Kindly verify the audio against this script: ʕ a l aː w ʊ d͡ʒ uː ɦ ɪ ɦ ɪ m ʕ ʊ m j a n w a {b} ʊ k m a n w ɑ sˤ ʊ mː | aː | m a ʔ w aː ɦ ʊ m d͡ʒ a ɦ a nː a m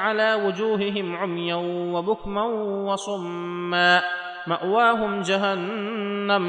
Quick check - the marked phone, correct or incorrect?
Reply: correct